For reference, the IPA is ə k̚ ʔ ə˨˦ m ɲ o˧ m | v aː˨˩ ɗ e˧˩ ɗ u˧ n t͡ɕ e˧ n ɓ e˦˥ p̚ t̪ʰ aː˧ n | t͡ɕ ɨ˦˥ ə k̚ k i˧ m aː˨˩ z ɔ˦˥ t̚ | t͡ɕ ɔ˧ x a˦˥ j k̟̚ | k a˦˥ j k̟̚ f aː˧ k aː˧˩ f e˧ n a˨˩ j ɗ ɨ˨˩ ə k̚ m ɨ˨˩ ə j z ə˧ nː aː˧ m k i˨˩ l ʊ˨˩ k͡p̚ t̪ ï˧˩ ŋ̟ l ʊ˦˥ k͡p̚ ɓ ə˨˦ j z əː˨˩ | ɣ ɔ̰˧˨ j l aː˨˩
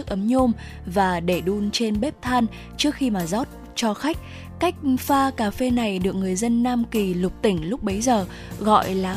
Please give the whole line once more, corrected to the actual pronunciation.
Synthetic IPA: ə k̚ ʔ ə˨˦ m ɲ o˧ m | v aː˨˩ ɗ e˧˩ ɗ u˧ n t͡ɕ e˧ n ɓ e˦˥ p̚ t̪ʰ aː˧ n | t͡ɕ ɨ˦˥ ə k̚ x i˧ m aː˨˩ z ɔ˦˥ t̚ | t͡ɕ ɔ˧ x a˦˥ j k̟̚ | k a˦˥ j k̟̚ f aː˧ k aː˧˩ f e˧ n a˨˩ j ɗ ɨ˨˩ ə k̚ ŋ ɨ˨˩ ə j z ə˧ nː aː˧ m k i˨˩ l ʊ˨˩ k͡p̚ t̪ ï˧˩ ŋ̟ l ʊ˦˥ k͡p̚ ɓ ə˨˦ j z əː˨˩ | ɣ ɔ̰˧˨ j l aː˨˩